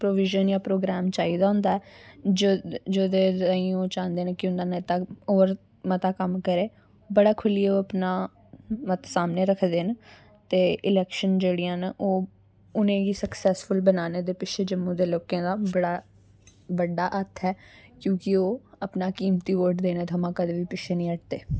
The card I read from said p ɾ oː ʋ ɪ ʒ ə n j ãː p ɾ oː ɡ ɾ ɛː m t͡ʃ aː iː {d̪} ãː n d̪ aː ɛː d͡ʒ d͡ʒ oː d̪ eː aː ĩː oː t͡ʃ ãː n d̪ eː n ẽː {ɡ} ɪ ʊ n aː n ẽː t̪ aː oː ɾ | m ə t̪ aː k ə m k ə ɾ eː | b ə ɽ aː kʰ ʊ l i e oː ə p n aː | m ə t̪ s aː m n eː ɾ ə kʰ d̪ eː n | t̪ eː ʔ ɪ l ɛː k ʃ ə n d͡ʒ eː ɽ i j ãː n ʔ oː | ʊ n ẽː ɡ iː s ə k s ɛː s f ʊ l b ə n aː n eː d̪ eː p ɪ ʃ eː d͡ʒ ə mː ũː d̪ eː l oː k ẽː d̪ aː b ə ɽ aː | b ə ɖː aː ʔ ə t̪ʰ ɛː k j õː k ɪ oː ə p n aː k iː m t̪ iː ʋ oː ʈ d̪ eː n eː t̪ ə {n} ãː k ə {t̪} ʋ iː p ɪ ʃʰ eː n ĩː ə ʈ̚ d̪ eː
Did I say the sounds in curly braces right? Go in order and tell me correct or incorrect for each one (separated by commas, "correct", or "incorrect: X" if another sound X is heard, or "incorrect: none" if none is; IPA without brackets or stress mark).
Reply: correct, incorrect: k, incorrect: m, incorrect: d̪